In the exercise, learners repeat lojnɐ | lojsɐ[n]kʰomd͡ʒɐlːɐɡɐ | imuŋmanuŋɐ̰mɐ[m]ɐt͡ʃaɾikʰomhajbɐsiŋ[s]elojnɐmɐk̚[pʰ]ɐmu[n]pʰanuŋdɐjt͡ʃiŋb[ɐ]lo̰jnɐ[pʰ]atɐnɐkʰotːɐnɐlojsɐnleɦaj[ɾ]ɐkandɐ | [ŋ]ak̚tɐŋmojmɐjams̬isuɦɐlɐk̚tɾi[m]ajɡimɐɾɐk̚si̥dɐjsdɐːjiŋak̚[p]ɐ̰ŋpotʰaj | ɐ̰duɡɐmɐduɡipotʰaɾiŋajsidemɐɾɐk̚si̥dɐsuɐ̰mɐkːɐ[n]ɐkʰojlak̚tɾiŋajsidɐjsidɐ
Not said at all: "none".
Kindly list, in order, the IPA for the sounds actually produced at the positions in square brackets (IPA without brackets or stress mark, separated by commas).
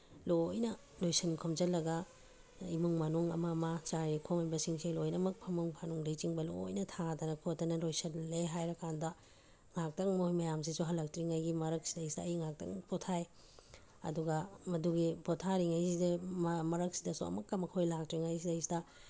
n, m, s, pʰ, ŋ, ɐ, tʰ, ɾ, ŋ, ŋ, t, m